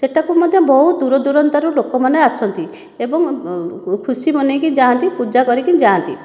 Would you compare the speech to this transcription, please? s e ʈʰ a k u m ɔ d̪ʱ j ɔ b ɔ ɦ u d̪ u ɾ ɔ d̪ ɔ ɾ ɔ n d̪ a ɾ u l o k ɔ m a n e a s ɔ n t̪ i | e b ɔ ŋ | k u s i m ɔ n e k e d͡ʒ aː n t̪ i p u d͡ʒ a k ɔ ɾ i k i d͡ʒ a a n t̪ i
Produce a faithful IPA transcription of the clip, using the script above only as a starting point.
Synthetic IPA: s e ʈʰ a k u m ɔ d̪ʱ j ɔ b ɔ ɦ u d̪ u ɾ ɔ d̪ u ɾ ɔ n t̪ a ɾ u l o k ɔ m a n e a s ɔ n t̪ i | e b ɔ ŋ | kʰ u s i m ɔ n e k i d͡ʒ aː n t̪ i p u d͡ʒ a k ɔ ɾ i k i d͡ʒ a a n t̪ i